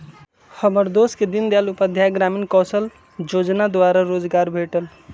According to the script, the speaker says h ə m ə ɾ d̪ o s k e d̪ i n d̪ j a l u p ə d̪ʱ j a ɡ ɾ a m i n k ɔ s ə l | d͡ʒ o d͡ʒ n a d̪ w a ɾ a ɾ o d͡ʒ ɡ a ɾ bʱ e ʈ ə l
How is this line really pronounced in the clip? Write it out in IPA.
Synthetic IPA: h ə m ə ɾ d̪ o s k e d̪ i n d̪ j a l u p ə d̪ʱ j a ɡ ɾ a m i n k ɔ s ə l | d͡ʒ o d͡ʒ n a d̪ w a ɾ a ɾ o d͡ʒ ɡ a ɾ bʱ e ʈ ə l